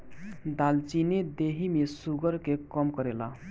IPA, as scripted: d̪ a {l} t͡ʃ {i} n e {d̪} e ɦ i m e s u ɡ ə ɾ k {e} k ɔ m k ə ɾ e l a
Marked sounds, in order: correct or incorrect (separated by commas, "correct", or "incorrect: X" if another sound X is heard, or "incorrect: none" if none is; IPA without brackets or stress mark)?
correct, correct, correct, correct